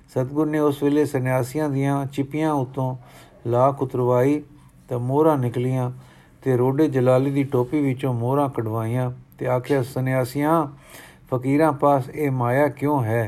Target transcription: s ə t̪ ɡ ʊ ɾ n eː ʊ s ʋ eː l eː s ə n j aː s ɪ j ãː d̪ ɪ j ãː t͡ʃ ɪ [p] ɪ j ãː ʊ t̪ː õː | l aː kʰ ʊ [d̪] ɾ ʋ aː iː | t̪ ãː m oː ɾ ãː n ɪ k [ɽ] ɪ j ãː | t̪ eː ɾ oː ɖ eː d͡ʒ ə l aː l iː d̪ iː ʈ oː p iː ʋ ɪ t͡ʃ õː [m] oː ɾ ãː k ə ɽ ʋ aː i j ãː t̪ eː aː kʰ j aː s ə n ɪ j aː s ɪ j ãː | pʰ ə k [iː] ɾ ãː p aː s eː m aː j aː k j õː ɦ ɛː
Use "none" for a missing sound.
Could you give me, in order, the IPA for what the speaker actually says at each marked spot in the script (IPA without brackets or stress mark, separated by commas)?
p, t̪, l, m, iː